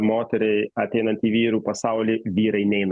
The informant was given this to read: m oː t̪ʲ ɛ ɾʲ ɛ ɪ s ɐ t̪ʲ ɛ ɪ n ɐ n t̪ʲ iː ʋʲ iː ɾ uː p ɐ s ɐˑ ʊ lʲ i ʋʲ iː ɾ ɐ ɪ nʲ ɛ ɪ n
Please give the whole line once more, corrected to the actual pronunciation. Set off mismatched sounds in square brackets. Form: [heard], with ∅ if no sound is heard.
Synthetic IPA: m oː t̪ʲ ɛ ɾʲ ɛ ɪ [∅] ɐ t̪ʲ ɛ ɪ n ɐ n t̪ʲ iː ʋʲ iː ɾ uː p ɐ s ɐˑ ʊ lʲ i ʋʲ iː ɾ ɐ ɪ nʲ ɛ ɪ n